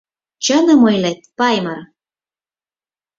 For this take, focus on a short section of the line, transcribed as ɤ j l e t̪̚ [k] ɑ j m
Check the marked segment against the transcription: incorrect: p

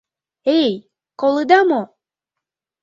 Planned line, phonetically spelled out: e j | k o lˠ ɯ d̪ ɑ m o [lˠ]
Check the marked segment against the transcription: incorrect: none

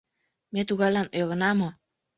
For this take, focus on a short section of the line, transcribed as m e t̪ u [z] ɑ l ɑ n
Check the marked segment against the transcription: incorrect: ɣ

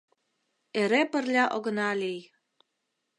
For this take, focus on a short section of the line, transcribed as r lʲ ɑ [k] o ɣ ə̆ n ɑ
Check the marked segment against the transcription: incorrect: ʔ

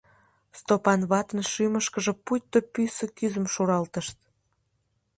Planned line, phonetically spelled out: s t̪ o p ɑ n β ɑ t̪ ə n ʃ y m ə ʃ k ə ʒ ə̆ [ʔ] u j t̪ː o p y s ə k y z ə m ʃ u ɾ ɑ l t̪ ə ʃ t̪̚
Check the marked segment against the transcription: incorrect: p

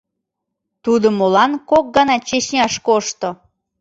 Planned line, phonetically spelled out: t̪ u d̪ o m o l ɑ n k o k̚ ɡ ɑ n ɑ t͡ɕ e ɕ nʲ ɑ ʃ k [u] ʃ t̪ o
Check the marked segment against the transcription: incorrect: o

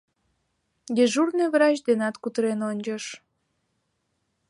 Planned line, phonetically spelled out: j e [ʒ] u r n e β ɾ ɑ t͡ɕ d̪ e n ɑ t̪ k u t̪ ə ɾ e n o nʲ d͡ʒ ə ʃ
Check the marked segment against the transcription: correct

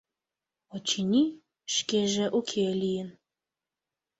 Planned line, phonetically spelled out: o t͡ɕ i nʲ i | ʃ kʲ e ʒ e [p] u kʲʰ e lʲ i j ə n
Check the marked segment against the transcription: incorrect: ʔ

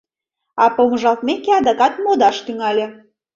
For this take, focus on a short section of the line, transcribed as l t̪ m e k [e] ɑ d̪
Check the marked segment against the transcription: correct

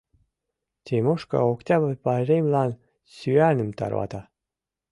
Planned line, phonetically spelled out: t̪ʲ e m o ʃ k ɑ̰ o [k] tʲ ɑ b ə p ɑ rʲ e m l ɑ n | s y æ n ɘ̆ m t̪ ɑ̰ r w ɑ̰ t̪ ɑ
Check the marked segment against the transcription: correct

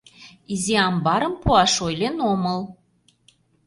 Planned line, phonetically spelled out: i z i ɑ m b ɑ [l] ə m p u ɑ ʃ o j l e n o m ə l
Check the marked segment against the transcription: incorrect: ɾ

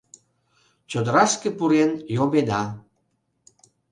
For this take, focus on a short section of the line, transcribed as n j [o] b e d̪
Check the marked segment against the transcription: correct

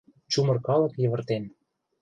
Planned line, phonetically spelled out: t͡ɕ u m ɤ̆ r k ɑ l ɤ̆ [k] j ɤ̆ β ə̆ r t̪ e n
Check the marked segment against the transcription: correct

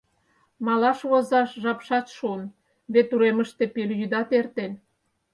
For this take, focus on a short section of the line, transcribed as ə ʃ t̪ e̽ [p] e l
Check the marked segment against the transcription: correct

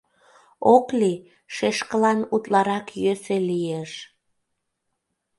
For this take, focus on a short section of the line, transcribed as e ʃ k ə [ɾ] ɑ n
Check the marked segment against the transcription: incorrect: l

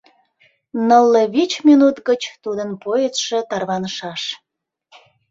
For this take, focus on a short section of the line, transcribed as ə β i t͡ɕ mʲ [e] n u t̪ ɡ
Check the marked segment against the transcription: incorrect: i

